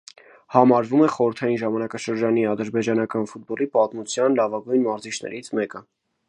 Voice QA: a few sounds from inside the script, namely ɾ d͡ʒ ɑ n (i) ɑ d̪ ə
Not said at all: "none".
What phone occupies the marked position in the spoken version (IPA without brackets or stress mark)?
i